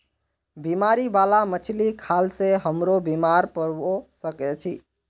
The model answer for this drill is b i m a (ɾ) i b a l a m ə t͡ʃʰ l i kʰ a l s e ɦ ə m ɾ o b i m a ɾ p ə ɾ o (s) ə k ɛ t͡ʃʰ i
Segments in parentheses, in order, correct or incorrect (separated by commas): correct, correct